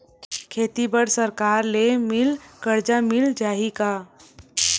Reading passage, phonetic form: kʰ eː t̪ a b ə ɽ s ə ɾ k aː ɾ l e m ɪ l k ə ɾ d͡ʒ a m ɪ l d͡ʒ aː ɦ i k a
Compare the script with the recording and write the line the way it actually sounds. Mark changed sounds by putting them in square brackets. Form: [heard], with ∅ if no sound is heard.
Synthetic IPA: kʰ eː t̪ [i] b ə ɽ s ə ɾ k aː ɾ l e m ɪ l k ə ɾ d͡ʒ a m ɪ l d͡ʒ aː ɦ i k a